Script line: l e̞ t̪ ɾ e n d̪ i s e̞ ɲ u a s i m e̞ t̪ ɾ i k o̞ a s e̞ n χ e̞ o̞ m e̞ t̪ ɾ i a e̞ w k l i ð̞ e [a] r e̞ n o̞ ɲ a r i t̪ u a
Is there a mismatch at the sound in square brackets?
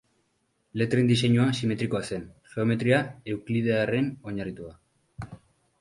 no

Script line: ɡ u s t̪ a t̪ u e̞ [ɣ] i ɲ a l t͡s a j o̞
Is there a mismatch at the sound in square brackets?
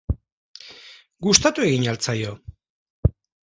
no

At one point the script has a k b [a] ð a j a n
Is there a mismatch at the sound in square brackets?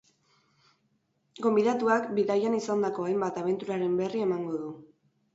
yes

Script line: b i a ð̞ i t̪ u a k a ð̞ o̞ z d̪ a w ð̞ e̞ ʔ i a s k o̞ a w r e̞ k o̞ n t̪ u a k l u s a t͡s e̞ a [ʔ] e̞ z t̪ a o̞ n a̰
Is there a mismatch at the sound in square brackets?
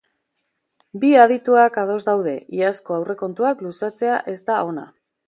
no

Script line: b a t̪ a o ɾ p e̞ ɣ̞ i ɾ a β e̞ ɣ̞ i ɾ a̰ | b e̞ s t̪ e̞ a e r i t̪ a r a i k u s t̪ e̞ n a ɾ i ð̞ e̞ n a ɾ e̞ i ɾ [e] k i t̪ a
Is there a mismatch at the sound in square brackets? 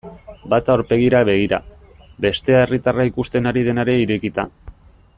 no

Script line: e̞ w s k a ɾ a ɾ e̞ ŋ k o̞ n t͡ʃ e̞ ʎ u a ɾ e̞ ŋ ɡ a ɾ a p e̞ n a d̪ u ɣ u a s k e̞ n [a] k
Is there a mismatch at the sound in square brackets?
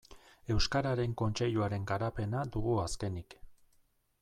yes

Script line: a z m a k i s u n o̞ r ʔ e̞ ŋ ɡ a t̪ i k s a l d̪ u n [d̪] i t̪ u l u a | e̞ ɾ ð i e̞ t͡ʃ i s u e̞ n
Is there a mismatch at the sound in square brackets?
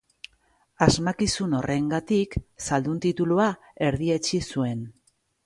yes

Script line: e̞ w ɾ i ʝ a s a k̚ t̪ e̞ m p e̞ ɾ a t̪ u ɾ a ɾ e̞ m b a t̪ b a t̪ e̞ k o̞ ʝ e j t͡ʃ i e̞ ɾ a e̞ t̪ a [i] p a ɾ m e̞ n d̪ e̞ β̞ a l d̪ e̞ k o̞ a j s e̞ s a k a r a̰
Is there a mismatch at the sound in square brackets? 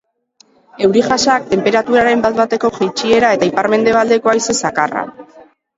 no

